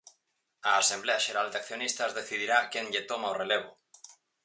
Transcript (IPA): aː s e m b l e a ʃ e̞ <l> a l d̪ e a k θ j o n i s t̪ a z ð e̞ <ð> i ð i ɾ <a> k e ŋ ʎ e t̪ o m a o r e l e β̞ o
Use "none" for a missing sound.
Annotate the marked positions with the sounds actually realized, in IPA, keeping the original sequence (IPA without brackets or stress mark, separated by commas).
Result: ɾ, θ, a